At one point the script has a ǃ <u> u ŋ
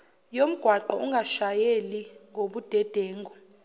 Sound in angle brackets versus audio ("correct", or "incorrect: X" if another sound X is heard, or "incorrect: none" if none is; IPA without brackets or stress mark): incorrect: ɔ